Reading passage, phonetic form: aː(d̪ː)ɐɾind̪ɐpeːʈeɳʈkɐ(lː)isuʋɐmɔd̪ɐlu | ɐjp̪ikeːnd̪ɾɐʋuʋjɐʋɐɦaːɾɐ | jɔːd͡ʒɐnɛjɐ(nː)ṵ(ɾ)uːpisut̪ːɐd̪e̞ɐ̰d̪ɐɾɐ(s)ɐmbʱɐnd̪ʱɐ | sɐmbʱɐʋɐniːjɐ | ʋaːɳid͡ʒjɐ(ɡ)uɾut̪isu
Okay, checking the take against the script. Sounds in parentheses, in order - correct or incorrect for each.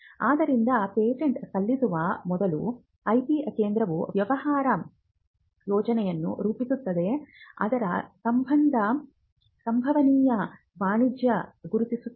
incorrect: d̪, correct, correct, correct, correct, correct

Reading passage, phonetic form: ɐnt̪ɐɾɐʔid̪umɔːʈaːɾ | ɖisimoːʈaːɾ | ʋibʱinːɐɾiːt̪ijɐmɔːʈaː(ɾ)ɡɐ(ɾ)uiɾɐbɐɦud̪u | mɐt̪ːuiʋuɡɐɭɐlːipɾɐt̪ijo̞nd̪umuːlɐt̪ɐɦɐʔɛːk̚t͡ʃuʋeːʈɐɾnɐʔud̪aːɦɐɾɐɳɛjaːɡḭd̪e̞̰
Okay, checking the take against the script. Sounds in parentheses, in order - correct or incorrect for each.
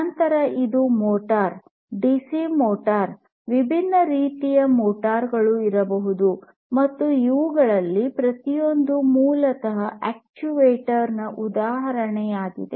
correct, incorrect: ɭ

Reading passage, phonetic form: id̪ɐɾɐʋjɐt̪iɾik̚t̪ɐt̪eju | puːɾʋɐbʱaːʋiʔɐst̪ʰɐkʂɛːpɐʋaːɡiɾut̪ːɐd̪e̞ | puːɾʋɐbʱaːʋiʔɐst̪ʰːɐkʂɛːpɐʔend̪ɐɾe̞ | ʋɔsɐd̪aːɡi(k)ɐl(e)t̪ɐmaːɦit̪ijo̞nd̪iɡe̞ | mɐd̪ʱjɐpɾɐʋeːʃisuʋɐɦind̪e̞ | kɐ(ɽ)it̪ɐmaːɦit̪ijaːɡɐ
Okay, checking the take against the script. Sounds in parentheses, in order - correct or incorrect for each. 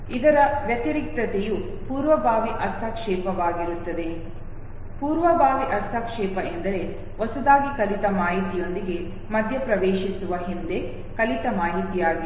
correct, incorrect: i, incorrect: l

